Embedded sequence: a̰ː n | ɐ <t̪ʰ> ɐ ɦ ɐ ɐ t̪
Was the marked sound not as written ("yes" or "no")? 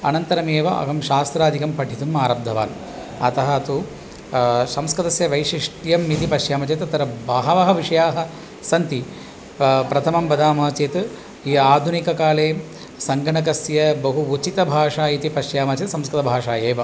yes